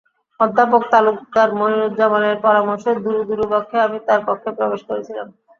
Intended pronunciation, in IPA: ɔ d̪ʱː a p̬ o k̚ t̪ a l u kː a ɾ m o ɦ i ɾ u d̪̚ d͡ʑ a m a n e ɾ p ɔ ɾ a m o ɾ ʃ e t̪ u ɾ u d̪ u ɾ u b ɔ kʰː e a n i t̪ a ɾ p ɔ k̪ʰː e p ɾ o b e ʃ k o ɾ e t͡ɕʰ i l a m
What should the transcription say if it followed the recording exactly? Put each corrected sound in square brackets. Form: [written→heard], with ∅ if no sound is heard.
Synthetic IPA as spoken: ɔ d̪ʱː a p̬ o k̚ t̪ a l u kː a ɾ m o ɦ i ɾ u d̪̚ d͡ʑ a m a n e ɾ p ɔ ɾ a m o ɾ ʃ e [t̪→d̪] u ɾ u d̪ u ɾ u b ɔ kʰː e a [n→m] i t̪ a ɾ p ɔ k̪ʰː e p ɾ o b e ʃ k o ɾ e t͡ɕʰ i l a m